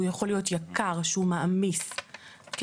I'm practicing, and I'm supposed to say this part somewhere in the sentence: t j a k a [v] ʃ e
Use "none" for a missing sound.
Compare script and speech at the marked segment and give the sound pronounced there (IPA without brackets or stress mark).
ʁ